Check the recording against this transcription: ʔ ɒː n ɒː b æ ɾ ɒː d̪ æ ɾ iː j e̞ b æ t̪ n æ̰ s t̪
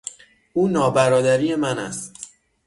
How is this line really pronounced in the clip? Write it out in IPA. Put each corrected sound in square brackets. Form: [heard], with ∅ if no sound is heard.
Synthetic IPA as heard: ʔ [uː] n ɒː b æ ɾ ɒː d̪ æ ɾ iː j e̞ [m] æ [∅] n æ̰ s t̪